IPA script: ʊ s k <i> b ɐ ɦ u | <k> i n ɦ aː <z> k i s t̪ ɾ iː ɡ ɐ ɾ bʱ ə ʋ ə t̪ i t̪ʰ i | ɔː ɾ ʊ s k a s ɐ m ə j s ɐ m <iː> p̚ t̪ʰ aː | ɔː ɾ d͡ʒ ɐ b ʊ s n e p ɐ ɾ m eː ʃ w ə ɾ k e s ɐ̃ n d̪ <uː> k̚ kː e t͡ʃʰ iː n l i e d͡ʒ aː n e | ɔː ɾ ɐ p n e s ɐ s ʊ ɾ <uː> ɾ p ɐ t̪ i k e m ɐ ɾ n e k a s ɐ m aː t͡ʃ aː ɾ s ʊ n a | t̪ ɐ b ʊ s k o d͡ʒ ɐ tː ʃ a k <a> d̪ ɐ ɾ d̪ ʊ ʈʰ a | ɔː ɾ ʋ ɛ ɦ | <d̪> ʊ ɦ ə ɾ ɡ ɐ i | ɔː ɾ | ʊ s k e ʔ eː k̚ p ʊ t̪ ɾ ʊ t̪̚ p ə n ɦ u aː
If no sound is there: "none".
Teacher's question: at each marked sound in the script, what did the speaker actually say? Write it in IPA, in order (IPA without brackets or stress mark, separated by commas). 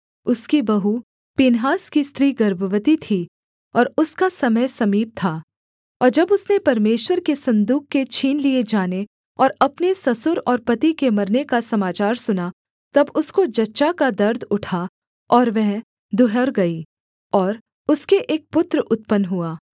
i, p, s, iː, uː, ɔː, a, d̪